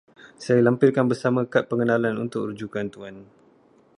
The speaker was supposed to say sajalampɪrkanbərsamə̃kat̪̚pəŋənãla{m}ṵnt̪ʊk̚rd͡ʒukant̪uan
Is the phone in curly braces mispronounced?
yes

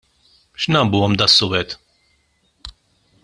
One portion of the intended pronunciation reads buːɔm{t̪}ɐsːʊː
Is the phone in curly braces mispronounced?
yes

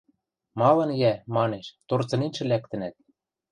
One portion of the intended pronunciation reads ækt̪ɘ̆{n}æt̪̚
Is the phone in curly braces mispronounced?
no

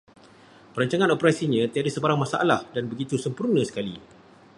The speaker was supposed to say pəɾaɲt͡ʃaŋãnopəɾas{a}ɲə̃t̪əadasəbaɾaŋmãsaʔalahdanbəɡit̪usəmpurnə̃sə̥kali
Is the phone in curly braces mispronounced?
yes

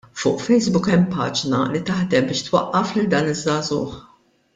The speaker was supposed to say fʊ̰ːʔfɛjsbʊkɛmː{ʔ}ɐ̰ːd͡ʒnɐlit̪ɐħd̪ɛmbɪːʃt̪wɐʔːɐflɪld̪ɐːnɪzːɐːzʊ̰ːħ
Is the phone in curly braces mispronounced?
yes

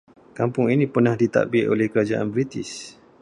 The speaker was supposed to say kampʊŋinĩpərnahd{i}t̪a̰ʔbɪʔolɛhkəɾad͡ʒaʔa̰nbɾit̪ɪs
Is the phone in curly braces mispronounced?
no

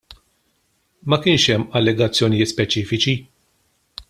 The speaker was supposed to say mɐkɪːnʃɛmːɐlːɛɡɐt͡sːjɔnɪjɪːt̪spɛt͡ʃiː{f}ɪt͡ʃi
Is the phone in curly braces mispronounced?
no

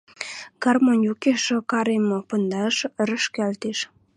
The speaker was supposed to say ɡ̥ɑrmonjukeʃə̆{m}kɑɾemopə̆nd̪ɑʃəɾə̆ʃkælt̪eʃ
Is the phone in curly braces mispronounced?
yes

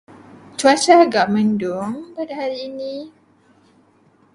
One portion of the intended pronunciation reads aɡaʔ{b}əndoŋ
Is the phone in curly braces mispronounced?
yes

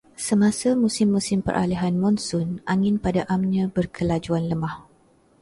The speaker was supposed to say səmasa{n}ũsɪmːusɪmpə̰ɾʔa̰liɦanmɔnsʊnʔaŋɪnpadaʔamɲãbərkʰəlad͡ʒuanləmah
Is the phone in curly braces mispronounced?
yes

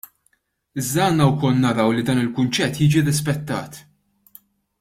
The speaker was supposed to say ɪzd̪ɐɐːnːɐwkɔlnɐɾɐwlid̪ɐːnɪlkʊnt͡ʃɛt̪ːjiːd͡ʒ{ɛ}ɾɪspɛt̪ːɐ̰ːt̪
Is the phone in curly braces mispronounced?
yes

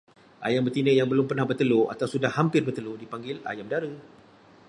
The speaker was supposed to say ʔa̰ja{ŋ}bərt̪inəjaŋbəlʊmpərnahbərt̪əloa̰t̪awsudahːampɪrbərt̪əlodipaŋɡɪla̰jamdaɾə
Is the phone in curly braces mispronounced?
yes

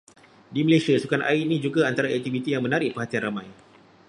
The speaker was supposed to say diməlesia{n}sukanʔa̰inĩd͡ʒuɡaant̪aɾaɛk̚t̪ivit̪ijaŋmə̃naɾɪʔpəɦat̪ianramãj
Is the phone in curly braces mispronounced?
yes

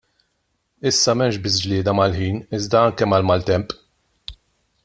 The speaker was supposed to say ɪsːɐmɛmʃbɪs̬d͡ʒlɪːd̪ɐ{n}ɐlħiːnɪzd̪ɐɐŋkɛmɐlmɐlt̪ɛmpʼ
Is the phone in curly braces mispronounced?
yes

